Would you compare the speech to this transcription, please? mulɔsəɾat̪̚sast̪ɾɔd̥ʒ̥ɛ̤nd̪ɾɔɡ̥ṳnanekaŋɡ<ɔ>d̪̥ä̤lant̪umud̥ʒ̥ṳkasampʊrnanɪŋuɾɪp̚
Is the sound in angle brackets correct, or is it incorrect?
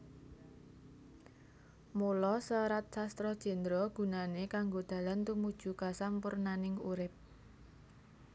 incorrect